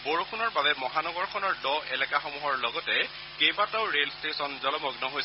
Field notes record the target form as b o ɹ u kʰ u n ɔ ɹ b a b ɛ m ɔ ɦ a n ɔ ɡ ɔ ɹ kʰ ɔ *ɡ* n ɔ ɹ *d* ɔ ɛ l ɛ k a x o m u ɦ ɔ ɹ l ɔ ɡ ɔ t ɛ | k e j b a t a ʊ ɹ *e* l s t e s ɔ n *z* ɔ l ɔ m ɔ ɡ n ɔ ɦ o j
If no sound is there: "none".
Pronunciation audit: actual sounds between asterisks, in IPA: none, d, e, z

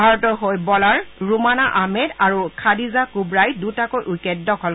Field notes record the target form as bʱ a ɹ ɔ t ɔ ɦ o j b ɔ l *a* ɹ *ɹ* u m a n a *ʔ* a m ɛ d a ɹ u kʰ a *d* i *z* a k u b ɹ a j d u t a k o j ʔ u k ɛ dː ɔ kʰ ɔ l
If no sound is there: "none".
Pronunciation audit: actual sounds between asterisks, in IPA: a, ɹ, ʔ, d, z

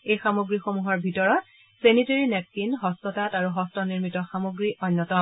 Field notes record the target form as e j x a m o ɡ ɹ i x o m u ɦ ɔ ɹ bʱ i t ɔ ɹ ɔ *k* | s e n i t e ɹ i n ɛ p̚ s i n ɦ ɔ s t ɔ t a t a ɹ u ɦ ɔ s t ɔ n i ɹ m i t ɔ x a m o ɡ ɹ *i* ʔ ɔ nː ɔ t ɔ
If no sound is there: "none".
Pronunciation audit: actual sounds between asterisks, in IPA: t, i

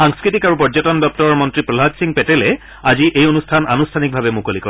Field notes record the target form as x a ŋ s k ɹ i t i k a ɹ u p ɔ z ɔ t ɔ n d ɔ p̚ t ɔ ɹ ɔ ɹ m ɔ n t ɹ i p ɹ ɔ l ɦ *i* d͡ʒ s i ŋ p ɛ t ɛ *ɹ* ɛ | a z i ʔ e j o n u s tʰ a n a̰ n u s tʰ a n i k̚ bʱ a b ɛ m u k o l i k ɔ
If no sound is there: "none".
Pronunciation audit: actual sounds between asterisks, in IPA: a, l

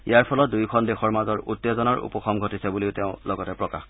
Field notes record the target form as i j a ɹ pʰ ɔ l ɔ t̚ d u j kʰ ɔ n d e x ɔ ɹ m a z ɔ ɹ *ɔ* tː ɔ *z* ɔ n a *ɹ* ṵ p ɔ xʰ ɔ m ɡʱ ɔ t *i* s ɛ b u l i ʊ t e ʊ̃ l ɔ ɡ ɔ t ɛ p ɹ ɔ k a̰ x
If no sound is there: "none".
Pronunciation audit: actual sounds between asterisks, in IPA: u, z, ɹ, i

